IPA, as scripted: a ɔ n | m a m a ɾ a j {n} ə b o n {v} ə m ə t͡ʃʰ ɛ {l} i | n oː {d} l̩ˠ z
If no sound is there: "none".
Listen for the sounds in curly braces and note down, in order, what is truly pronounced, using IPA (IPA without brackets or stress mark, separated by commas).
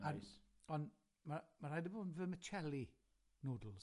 d, v, l, d